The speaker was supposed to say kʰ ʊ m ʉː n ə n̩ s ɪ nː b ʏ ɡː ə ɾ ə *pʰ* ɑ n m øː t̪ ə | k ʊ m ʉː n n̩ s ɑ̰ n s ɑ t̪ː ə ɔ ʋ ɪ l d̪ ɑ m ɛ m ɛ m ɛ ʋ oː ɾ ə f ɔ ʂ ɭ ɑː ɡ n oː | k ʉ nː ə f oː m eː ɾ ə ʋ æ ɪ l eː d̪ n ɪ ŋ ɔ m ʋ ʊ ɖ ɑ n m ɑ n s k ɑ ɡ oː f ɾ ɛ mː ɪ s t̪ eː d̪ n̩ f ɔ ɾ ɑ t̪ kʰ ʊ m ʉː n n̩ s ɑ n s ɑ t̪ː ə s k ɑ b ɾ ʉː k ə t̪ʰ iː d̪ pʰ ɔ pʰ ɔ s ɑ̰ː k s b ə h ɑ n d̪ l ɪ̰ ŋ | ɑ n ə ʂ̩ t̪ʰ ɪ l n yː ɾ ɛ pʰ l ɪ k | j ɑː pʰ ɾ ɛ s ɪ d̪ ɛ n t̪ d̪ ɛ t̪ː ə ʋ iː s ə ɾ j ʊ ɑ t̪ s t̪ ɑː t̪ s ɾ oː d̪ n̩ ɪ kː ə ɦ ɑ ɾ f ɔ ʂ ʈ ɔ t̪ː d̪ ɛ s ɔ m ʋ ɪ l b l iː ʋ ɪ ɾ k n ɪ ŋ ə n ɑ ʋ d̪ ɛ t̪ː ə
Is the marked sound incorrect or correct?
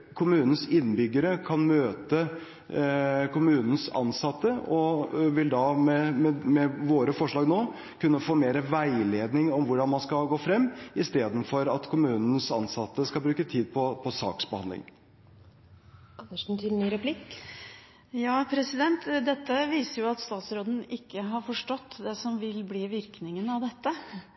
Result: incorrect: kʰ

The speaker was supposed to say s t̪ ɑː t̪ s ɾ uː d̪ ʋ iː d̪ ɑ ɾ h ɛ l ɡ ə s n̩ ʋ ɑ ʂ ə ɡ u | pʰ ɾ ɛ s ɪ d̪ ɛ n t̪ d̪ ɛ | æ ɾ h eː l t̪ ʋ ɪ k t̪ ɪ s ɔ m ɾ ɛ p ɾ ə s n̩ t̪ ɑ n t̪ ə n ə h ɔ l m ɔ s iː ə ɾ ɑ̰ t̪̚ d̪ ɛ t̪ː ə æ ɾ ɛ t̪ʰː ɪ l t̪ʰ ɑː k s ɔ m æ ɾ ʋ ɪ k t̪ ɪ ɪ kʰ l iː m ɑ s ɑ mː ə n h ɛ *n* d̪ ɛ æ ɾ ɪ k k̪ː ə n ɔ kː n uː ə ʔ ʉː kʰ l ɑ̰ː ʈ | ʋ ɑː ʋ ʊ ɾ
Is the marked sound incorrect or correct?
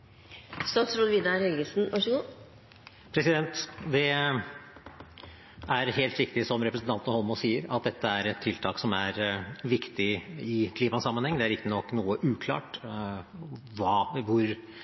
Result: incorrect: ŋ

